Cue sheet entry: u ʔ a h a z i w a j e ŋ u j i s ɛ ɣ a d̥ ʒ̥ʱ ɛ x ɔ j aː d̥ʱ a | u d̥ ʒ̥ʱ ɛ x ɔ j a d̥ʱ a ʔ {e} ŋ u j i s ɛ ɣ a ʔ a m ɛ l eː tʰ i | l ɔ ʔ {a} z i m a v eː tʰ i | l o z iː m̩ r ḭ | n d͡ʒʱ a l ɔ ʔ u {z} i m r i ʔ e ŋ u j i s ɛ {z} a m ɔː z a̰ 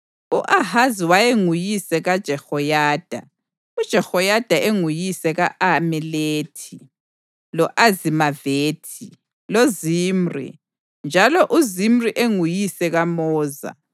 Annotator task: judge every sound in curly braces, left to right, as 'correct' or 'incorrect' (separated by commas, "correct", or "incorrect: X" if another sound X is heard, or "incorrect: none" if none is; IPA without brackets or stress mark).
correct, correct, correct, incorrect: ɣ